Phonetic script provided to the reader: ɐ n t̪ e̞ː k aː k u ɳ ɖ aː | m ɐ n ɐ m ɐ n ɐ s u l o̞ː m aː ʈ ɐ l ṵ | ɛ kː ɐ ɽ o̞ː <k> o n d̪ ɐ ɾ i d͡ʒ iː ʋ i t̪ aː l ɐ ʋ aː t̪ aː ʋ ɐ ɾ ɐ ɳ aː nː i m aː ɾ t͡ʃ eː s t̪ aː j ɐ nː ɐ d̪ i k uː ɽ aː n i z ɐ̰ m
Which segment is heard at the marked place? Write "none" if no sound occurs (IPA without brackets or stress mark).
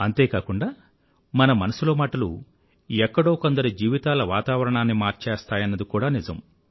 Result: k